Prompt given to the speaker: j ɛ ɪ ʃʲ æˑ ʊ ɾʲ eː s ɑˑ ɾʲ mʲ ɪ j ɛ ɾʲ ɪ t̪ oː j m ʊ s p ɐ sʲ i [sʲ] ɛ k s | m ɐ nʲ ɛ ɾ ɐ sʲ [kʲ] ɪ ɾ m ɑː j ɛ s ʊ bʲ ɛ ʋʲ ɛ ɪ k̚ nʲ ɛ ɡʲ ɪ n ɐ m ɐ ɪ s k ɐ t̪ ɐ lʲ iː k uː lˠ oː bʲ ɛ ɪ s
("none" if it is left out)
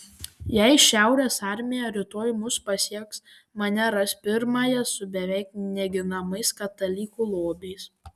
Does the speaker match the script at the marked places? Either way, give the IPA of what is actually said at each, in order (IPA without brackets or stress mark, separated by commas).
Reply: none, pʲ